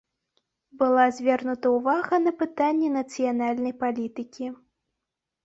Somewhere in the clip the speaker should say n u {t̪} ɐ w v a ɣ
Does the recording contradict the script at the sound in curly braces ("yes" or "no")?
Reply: no